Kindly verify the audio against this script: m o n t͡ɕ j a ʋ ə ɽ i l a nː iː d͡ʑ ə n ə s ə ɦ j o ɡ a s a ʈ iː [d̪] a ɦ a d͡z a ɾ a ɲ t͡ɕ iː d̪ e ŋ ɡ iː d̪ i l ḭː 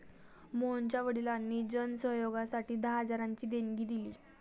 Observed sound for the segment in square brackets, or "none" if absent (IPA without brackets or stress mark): d̪